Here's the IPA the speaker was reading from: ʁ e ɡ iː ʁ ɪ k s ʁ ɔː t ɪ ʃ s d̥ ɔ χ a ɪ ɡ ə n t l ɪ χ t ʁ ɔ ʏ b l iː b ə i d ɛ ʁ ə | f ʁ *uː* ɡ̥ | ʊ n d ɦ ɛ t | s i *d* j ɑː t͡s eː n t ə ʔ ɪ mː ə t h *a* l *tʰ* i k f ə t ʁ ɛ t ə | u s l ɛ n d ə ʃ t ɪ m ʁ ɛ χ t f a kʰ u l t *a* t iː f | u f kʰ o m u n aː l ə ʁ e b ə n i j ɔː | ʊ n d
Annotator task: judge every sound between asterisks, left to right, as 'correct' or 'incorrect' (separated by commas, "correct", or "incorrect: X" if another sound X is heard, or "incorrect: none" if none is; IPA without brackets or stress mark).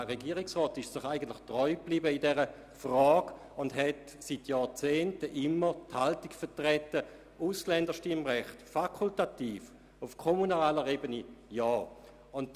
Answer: incorrect: ɔː, incorrect: t, correct, incorrect: t, correct